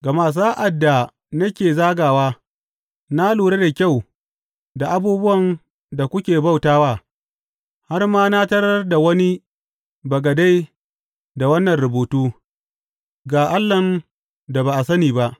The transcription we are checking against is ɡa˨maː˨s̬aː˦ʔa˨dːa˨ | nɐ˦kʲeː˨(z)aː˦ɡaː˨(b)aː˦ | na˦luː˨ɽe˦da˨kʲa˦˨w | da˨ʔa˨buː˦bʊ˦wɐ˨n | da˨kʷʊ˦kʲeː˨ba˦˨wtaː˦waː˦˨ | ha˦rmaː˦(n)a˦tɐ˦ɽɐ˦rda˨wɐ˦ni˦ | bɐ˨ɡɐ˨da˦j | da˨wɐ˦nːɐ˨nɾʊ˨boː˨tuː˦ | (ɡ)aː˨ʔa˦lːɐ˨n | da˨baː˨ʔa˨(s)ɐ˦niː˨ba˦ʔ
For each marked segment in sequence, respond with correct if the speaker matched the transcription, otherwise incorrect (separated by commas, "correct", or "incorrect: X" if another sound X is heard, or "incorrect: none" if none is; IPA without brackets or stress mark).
correct, incorrect: w, correct, correct, correct